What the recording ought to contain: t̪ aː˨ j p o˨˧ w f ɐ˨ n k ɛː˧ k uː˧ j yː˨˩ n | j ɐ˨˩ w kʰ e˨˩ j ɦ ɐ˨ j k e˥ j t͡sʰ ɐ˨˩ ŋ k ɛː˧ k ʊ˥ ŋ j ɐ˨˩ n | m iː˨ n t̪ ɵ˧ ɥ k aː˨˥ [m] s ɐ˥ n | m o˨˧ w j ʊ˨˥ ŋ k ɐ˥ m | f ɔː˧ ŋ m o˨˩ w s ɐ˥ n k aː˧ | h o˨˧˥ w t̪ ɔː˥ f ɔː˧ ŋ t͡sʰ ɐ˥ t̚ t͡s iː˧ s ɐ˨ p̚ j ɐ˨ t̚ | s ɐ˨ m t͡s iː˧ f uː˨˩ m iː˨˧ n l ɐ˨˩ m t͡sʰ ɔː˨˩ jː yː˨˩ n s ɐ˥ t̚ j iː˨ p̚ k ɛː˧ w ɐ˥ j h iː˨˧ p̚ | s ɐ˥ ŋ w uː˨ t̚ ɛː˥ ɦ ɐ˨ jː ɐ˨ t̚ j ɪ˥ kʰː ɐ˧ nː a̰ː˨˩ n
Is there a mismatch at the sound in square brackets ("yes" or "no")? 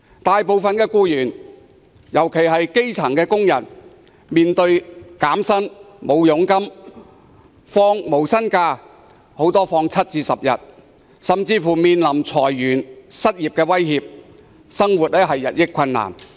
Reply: no